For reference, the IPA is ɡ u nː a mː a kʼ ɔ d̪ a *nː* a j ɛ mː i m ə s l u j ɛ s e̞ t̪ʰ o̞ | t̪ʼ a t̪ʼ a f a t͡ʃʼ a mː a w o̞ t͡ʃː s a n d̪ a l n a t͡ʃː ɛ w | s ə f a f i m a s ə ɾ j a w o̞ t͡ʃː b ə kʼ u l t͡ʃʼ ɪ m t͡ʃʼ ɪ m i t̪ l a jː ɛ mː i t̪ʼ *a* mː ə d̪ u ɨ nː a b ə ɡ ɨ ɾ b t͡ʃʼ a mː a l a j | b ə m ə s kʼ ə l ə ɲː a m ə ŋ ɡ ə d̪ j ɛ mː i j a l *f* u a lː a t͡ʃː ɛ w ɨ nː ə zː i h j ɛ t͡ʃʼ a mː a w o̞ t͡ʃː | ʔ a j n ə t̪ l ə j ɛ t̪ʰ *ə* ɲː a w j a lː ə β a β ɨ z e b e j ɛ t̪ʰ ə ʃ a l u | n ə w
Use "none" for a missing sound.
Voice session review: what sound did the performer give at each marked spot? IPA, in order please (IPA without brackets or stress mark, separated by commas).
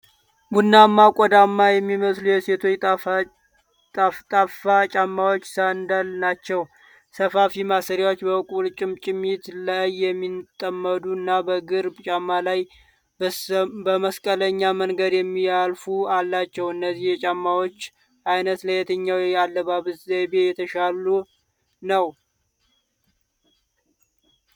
mː, ə, f, ə